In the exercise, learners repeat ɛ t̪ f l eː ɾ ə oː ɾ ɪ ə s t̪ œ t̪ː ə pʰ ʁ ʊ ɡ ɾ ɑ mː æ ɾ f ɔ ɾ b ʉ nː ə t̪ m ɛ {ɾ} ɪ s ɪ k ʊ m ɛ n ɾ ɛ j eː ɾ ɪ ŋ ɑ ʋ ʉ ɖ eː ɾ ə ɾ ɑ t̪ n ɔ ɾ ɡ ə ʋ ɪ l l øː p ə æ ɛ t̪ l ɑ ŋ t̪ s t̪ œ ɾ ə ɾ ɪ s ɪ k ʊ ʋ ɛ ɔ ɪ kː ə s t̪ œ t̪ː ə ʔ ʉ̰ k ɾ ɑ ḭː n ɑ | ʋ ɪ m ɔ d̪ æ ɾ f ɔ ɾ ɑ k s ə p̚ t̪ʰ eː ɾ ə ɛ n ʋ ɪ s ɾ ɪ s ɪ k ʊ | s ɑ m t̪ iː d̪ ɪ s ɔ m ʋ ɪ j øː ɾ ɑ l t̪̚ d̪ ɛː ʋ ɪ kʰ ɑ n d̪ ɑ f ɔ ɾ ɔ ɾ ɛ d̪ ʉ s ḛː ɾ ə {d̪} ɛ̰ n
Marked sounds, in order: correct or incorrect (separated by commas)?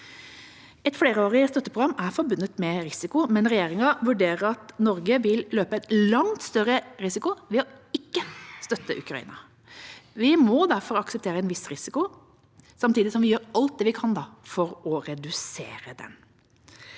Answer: correct, correct